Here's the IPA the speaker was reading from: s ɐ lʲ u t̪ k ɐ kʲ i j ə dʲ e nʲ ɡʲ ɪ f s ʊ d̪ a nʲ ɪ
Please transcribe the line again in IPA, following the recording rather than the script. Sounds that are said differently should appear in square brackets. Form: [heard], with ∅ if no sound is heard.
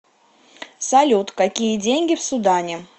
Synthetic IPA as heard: s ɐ lʲ u t̪ k ɐ kʲ i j ə dʲ e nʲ ɡʲ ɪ f s ʊ d̪ a nʲ ɪ